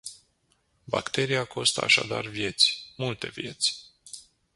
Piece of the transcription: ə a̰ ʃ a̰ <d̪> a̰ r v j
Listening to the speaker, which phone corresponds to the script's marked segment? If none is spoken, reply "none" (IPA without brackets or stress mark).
d̪